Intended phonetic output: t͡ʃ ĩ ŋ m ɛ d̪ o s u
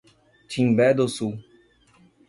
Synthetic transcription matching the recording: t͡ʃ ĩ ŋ b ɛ d̪ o s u